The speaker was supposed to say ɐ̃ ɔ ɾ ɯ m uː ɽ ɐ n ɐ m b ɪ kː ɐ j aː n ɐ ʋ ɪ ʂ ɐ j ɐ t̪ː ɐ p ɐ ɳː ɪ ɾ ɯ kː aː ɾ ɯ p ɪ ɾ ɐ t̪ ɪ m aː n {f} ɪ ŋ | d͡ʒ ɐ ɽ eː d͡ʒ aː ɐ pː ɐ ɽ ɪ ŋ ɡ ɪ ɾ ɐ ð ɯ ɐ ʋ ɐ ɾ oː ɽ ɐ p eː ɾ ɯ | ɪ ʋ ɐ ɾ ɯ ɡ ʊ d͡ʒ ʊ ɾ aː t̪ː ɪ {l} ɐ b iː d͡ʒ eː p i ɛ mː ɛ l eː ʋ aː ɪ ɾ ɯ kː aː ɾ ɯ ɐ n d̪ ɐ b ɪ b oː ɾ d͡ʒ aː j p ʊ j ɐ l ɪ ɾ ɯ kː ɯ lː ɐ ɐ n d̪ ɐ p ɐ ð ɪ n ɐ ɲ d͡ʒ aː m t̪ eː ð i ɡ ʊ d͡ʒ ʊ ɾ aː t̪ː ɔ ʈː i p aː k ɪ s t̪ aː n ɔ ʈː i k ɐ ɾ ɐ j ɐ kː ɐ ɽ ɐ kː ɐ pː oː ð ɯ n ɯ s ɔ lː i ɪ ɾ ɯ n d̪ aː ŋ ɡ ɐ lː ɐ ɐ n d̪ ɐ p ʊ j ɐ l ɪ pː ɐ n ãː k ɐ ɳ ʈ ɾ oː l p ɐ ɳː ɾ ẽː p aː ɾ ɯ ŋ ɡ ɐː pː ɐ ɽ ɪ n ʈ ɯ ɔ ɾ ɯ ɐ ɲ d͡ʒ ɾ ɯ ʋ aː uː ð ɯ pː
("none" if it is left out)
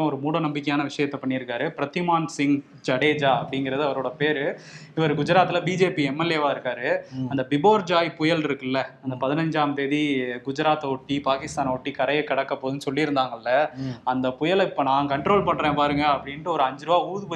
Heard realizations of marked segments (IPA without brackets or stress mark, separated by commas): s, l